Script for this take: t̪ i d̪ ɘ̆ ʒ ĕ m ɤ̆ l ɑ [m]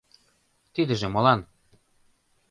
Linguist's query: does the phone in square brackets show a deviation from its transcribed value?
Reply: yes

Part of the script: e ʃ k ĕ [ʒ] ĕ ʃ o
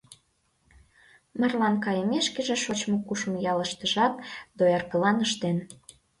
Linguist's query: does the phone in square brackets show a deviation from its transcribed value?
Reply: no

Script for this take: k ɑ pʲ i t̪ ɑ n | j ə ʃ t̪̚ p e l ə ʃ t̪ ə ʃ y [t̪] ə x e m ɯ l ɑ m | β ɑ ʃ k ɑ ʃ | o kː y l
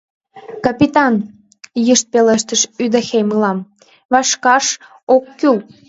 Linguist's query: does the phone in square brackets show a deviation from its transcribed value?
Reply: yes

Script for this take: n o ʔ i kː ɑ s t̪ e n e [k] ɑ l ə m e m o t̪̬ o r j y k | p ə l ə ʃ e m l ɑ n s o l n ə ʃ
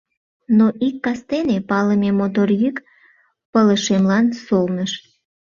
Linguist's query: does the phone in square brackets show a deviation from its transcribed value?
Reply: yes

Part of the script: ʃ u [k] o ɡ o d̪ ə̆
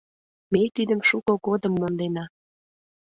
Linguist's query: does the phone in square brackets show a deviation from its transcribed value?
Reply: no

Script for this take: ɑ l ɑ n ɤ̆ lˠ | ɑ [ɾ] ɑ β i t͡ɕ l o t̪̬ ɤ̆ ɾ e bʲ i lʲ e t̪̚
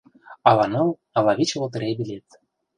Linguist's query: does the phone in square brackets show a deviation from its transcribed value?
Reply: yes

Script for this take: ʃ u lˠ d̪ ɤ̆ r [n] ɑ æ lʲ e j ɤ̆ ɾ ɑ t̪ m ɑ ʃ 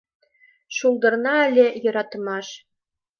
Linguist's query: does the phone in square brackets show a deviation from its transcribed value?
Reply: no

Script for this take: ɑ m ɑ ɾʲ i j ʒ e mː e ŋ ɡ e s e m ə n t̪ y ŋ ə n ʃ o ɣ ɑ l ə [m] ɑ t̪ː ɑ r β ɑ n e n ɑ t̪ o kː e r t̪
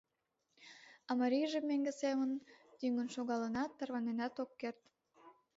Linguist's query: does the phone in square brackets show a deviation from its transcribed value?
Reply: yes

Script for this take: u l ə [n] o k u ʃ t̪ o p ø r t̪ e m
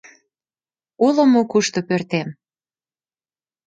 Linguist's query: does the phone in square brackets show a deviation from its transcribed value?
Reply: yes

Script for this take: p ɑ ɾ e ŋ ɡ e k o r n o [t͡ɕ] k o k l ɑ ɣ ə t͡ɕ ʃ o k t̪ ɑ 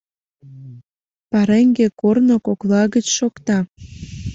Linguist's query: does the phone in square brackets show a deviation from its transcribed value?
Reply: yes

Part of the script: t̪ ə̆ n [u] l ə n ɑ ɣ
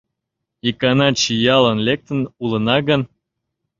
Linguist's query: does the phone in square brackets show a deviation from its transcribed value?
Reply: no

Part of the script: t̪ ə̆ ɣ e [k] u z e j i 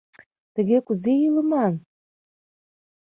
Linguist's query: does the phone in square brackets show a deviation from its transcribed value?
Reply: no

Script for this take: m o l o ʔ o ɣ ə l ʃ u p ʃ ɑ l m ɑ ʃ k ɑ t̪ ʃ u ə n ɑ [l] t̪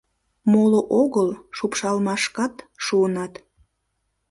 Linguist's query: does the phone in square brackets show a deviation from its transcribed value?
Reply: yes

